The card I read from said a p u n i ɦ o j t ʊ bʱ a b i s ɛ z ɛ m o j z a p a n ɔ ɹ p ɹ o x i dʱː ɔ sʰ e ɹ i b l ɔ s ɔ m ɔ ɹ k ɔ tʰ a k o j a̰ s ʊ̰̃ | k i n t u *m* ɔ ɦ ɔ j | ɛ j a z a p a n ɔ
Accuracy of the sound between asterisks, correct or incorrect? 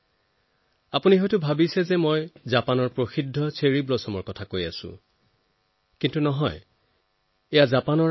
incorrect